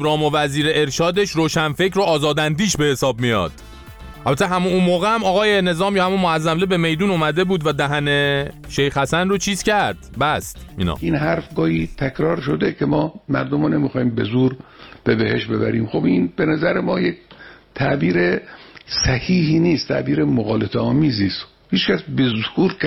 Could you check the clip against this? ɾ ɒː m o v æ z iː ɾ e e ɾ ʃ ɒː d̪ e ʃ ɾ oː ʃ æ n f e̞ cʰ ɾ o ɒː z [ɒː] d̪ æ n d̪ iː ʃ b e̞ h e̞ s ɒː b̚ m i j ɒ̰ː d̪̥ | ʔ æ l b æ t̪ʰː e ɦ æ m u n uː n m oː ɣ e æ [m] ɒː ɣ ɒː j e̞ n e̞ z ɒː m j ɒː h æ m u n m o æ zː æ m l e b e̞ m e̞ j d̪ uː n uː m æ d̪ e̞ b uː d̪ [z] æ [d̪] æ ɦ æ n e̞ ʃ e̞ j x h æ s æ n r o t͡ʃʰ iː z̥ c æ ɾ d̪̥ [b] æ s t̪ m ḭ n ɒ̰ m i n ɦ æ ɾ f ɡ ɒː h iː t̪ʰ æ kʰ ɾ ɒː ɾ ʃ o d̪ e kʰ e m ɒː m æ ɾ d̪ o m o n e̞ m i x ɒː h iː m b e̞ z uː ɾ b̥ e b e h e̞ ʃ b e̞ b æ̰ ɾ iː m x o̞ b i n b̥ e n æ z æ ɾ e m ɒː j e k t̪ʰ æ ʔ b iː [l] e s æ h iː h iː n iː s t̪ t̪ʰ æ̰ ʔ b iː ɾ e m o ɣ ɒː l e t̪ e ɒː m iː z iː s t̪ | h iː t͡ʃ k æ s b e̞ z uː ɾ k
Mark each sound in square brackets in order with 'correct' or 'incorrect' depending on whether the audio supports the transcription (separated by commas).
correct, correct, incorrect, correct, correct, incorrect